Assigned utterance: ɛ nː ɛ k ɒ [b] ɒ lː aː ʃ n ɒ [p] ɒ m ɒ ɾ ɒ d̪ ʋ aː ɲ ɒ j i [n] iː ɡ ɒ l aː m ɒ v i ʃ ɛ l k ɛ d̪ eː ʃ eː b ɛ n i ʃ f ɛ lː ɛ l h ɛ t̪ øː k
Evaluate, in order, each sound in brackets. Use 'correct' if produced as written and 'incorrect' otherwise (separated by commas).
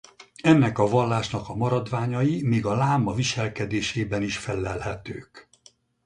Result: incorrect, incorrect, incorrect